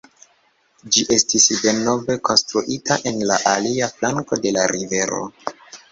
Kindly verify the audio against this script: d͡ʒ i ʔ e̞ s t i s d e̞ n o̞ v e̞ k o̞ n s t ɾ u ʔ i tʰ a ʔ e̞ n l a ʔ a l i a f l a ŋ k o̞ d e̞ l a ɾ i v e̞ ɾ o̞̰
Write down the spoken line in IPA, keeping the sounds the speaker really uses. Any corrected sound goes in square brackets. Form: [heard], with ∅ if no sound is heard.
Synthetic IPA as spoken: d͡ʒ i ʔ e̞ s t i s d e̞ n o̞ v e̞ k o̞ n s t ɾ u ʔ i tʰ a ʔ e̞ n l a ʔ a l i a f l a ŋ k o̞ d e̞ l a ɾ i v e̞ ɾ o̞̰